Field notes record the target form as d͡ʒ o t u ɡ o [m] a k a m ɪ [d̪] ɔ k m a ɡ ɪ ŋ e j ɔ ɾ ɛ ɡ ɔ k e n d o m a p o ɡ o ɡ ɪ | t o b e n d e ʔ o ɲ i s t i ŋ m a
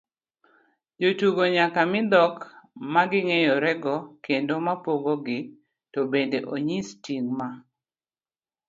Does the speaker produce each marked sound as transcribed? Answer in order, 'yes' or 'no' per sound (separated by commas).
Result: no, yes